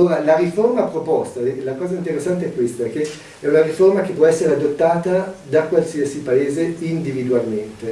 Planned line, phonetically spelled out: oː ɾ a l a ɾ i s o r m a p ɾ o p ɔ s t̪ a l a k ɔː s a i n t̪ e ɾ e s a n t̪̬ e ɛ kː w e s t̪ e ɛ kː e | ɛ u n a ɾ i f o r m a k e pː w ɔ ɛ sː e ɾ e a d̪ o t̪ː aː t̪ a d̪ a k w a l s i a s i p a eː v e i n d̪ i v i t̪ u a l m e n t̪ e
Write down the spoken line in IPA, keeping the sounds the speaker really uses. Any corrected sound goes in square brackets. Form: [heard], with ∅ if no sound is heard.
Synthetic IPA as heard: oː ɾ a l a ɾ i [f] o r m a p ɾ o p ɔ s t̪ a l a k ɔː [z] a i n t̪ e ɾ e [sː] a n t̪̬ e ɛ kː w e s t̪ [a] ɛ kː e | ɛ u n a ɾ i f o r m a k e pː w ɔ ɛ sː e ɾ e a d̪ o t̪ː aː t̪ a d̪ a k w a l s i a s i p a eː [z] e i n d̪ i v i [d̪] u a l m e n t̪ e